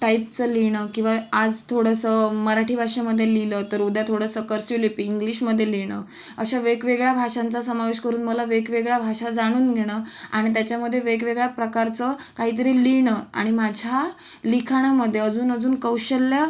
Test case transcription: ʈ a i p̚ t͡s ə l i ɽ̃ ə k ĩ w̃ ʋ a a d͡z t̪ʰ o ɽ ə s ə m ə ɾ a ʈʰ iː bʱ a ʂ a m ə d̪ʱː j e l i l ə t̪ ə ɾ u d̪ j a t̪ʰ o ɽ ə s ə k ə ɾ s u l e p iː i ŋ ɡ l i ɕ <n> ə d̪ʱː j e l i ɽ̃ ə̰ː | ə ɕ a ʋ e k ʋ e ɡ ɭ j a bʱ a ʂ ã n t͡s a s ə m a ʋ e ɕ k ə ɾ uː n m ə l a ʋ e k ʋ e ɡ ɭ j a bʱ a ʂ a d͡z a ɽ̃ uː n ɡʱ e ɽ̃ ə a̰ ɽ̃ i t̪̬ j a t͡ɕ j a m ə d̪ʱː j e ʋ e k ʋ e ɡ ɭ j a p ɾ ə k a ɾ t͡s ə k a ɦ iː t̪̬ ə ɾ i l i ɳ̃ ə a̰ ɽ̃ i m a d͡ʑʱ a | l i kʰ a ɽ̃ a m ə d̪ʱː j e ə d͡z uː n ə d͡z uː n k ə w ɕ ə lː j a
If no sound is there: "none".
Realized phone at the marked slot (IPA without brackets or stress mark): m